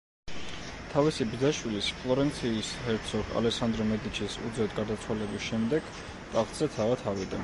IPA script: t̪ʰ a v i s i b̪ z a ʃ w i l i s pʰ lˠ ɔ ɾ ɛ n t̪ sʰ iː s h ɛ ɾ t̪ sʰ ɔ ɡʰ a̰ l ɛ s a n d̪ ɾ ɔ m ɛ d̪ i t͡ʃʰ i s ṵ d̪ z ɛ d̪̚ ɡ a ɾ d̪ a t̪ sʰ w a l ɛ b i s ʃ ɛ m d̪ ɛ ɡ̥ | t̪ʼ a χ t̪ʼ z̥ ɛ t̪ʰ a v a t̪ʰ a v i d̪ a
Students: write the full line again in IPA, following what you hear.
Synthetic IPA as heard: t̪ʰ a v i s i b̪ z a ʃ w i l i s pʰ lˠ ɔ ɾ ɛ n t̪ sʰ iː s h ɛ ɾ t̪ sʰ ɔ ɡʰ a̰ l ɛ s a n d̪ ɾ ɔ m ɛ d̪ i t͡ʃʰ i s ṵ d̪ z ɛ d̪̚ ɡ a ɾ d̪ a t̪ sʰ w a l ɛ b i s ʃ ɛ m d̪ ɛ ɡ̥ | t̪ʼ a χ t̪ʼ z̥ ɛ t̪ʰ a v a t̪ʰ a v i d̪ a